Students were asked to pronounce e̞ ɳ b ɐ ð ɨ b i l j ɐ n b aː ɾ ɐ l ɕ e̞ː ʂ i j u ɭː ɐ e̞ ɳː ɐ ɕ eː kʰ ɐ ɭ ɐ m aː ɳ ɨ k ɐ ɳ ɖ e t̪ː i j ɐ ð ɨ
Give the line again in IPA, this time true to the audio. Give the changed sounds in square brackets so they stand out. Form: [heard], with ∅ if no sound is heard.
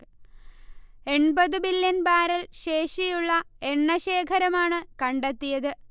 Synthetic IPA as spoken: e̞ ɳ b ɐ ð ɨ b i l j ɐ n b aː ɾ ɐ l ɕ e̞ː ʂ i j u ɭː ɐ e̞ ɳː ɐ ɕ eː kʰ ɐ [ɾ] ɐ m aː ɳ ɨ k ɐ ɳ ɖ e t̪ː i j ɐ ð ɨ